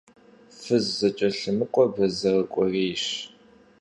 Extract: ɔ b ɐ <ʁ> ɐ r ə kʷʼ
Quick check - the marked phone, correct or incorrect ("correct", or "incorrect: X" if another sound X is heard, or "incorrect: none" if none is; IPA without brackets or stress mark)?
incorrect: z